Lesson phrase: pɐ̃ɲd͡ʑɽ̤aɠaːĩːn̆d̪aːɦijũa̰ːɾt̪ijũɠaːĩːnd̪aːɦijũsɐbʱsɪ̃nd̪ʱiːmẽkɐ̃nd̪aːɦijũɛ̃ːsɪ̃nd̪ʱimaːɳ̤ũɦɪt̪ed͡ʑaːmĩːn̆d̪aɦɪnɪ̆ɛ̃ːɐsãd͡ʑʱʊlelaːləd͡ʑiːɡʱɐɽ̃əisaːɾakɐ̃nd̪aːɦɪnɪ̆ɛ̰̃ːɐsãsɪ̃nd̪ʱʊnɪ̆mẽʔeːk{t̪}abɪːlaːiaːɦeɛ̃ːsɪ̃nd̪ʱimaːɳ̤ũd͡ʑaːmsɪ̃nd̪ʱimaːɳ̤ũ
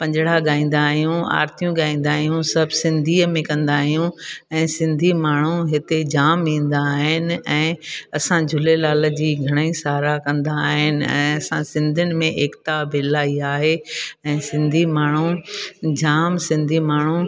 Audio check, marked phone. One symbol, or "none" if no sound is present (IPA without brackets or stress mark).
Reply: t̪